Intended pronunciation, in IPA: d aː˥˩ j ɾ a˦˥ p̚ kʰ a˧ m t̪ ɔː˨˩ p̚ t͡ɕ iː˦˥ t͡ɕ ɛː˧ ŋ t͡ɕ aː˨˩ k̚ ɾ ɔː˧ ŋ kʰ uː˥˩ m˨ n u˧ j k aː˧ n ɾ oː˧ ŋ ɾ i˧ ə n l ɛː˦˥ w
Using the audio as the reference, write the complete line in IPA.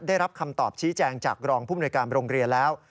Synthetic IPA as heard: d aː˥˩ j ɾ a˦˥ p̚ kʰ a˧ m t̪ ɔː˨˩ p̚ t͡ɕʰ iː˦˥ t͡ɕ ɛː˧ ŋ t͡ɕ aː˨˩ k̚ ɾ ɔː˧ ŋ pʰ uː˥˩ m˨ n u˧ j k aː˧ n ɾ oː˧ ŋ ɾ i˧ ə n l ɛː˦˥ w